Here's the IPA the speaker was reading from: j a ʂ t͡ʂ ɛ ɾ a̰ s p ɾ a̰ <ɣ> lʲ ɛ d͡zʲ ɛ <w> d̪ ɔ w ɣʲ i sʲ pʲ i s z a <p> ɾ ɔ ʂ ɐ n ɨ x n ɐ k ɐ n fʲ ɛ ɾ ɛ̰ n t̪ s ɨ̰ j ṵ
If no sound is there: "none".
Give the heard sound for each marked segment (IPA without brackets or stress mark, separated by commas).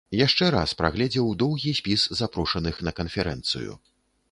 ɣ, w, p